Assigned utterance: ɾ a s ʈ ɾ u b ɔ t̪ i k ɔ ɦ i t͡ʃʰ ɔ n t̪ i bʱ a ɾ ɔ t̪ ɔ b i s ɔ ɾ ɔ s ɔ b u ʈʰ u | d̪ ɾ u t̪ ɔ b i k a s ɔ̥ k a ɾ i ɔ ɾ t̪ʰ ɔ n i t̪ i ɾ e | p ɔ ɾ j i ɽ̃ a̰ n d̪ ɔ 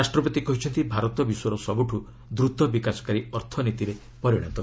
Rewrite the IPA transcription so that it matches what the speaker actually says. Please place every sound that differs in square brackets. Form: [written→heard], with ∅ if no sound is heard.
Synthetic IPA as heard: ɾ a s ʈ ɾ [u→ɔ] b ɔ t̪ i k ɔ ɦ i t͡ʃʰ ɔ n t̪ i bʱ a ɾ ɔ t̪ ɔ b i s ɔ ɾ ɔ s ɔ b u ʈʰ u | d̪ ɾ u t̪ ɔ b i k a s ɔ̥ k a ɾ i ɔ ɾ t̪ʰ ɔ n i t̪ i ɾ e | p ɔ ɾ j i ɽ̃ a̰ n [d̪→t̪] ɔ